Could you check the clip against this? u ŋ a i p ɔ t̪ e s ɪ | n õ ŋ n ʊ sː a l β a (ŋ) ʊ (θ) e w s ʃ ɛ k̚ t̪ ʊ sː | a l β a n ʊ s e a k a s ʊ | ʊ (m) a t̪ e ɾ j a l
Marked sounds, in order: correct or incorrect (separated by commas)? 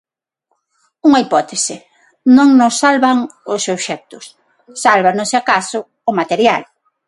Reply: correct, incorrect, correct